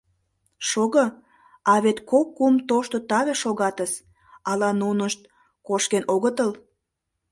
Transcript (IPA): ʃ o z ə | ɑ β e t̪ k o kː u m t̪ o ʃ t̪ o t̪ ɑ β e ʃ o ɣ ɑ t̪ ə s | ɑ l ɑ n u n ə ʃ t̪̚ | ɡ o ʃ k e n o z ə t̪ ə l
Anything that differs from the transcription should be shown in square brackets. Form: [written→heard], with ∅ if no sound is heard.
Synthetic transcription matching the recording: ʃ o [z→ɣ] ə | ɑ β e t̪ k o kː u m t̪ o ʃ t̪ o t̪ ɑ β e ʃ o ɣ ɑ t̪ ə s | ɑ l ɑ n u n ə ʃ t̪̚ | [ɡ→k] o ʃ k e n o [z→ɣ] ə t̪ ə l